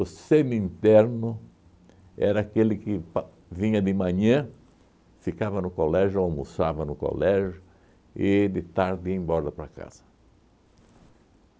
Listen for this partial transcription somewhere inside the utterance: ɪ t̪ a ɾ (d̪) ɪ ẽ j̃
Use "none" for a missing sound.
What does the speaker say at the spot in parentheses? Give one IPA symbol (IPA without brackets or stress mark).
d̪